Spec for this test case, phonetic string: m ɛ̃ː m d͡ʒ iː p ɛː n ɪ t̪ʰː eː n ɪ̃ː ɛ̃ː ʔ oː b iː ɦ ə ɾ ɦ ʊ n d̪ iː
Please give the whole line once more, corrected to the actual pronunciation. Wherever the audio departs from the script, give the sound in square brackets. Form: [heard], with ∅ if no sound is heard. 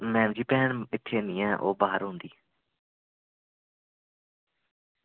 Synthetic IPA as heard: m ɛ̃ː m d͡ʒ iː p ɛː n ɪ t̪ʰː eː n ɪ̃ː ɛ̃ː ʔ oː b [aː] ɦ ə ɾ ɦ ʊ n d̪ iː

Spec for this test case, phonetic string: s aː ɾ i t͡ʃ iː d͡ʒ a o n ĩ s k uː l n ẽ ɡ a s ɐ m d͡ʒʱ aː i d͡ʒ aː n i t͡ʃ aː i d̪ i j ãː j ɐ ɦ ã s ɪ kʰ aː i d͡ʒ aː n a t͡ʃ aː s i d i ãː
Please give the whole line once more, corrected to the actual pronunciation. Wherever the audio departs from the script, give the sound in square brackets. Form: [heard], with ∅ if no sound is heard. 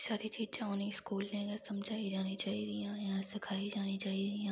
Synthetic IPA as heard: s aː ɾ i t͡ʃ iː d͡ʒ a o n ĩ s k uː l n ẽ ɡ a s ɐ m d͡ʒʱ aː i d͡ʒ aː n i t͡ʃ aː i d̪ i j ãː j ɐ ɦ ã s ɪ kʰ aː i d͡ʒ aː n [i] t͡ʃ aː [∅] i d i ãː

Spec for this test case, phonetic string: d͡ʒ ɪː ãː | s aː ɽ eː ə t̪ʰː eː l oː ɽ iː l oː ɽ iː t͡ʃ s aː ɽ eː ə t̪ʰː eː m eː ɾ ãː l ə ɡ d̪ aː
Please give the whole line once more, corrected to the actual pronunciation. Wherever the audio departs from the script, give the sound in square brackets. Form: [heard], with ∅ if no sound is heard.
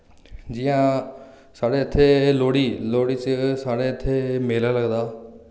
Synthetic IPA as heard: d͡ʒ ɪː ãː | s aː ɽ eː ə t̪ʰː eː l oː ɽ iː l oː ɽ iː t͡ʃ s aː ɽ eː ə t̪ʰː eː m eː [l] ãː l ə ɡ d̪ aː

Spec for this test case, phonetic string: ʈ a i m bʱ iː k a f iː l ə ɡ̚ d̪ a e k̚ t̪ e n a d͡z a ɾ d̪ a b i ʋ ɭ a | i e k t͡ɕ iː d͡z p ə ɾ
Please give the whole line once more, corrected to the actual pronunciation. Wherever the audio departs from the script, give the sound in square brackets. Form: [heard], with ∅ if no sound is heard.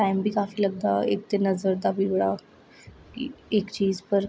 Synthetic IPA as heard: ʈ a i m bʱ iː k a f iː l ə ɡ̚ d̪ a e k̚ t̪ e n [ə] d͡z [ə] ɾ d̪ a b i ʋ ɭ a | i e k t͡ɕ iː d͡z p ə ɾ

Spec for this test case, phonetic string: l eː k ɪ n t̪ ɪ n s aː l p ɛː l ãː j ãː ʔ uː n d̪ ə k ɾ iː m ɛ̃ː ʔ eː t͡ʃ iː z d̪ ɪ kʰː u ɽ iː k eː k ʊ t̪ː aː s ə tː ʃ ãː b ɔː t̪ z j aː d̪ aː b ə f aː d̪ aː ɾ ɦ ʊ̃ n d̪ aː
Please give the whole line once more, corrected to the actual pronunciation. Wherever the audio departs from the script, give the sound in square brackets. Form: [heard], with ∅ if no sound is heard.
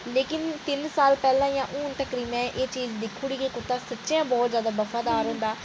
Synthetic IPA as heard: l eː k ɪ n t̪ ɪ n s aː l p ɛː l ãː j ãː ʔ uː n [t̪] ə k ɾ iː m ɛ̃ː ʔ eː t͡ʃ iː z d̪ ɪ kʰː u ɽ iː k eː k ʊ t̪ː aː s ə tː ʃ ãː b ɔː t̪ z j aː d̪ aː b ə f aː d̪ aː ɾ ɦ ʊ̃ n d̪ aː

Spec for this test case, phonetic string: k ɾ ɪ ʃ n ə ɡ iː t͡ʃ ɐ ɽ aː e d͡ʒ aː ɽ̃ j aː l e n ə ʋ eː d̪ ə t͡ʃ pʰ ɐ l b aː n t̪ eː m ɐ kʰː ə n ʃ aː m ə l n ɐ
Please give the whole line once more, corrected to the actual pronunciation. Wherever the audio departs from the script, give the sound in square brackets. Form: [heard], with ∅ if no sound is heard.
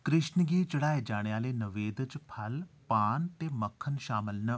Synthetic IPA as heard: k ɾ ɪ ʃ n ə ɡ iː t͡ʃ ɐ ɽ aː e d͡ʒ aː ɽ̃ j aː l e n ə ʋ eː d̪ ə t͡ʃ pʰ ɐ l [p] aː n t̪ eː m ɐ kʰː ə n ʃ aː m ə l n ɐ

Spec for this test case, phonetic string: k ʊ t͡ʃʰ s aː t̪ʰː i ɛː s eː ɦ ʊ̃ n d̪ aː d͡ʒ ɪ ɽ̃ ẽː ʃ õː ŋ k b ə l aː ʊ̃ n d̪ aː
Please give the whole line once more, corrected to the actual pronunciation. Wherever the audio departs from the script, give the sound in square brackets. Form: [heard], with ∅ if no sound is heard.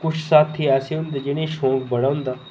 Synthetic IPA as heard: k ʊ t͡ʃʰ s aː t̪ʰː i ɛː s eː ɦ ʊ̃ n d̪ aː d͡ʒ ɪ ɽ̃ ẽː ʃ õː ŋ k b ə [ɽ] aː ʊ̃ n d̪ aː

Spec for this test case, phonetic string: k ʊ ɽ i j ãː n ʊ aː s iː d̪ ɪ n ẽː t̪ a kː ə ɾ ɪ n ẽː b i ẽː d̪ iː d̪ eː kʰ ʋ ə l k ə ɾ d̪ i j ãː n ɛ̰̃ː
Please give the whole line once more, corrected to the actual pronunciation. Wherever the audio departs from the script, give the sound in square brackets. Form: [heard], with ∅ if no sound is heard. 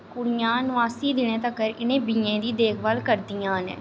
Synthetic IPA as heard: k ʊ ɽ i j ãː n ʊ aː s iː d̪ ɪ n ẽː t̪ [ə] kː ə ɾ ɪ n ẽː b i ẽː d̪ iː d̪ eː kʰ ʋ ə l k ə ɾ d̪ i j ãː n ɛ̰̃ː

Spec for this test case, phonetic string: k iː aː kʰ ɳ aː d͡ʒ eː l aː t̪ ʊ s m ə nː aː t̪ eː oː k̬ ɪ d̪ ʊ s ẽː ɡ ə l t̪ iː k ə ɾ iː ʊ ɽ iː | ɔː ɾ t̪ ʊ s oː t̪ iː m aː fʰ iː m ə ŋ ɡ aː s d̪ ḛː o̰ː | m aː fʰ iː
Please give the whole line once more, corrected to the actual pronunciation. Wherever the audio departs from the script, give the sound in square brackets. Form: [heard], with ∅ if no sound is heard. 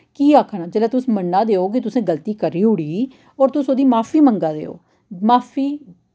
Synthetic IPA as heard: k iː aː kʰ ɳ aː d͡ʒ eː l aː t̪ ʊ s m ə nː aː [d̪] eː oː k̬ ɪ [t̪] ʊ s ẽː ɡ ə l t̪ iː k ə ɾ iː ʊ ɽ iː | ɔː ɾ t̪ ʊ s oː [d̪] iː m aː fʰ iː m ə ŋ ɡ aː [∅] d̪ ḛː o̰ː | m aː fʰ iː

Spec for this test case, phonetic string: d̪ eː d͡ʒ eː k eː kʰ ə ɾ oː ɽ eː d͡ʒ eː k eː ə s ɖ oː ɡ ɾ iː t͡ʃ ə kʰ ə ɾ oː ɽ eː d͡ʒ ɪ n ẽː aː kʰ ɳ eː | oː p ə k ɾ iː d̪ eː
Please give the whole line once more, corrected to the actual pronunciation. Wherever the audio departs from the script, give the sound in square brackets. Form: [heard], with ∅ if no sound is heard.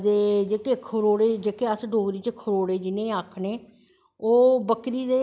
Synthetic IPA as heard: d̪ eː d͡ʒ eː k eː kʰ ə ɾ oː ɽ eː d͡ʒ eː k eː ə s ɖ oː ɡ ɾ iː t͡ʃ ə kʰ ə ɾ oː ɽ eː d͡ʒ ɪ n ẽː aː kʰ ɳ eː | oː [b] ə k ɾ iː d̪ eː

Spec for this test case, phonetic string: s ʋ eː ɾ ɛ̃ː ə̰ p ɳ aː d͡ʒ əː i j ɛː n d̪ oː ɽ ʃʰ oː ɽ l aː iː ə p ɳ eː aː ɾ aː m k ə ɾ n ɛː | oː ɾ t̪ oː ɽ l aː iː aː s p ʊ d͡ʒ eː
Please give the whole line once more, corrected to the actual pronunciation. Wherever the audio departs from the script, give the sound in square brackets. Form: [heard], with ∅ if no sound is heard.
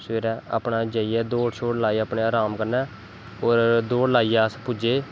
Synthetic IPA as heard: s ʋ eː ɾ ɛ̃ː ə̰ p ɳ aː d͡ʒ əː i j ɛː [∅] d̪ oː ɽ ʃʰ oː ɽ l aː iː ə p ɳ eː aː ɾ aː m k ə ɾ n ɛː | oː ɾ [d̪] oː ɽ l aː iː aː s p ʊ d͡ʒ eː

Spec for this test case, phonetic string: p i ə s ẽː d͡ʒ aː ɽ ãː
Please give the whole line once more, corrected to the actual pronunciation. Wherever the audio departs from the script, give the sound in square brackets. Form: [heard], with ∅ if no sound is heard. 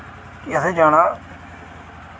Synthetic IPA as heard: [k] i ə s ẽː d͡ʒ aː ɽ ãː

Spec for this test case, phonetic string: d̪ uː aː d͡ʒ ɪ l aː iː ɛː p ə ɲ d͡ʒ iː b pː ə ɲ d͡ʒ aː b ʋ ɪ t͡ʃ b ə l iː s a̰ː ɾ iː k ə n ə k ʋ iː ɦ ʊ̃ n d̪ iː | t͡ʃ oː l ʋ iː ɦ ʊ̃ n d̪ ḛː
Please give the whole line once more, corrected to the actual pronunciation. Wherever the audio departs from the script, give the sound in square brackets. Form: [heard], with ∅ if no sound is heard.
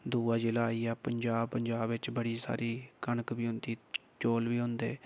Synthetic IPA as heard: d̪ uː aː d͡ʒ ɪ l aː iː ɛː p ə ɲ d͡ʒ [aː] b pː ə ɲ d͡ʒ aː b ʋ ɪ t͡ʃ b ə [ɽ] iː s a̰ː ɾ iː k ə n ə k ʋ iː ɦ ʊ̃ n d̪ iː | t͡ʃ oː l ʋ iː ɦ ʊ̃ n d̪ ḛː

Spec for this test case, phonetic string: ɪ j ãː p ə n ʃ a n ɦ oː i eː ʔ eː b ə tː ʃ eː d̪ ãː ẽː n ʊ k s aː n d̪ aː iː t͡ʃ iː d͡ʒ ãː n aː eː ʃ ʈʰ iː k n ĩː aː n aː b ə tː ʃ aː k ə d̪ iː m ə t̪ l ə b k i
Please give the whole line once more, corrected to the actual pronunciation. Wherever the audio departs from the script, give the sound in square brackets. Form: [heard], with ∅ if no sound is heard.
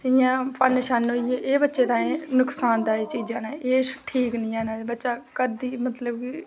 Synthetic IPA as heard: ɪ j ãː p ə n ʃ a n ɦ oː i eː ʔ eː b ə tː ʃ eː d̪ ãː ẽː n ʊ k s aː n d̪ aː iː t͡ʃ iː d͡ʒ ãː n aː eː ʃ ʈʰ iː k n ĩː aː n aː b ə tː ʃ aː k ə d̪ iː m ə t̪ l ə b k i

